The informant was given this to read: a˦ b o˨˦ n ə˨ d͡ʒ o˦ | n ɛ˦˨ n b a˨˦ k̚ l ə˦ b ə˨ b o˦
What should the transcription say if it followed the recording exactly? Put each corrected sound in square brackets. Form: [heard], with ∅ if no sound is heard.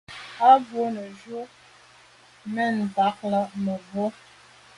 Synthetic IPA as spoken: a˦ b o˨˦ n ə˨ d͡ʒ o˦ | [m] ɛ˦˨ n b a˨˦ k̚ l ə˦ [m] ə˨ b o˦